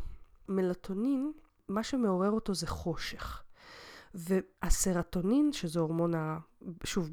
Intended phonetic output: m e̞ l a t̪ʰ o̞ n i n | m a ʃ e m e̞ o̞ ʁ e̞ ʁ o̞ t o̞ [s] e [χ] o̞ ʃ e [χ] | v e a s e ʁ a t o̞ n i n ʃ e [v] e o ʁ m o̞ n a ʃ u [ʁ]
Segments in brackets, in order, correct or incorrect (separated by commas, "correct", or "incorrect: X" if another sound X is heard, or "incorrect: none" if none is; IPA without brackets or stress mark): incorrect: z, correct, correct, incorrect: z, incorrect: v